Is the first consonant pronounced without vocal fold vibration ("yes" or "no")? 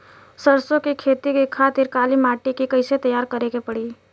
yes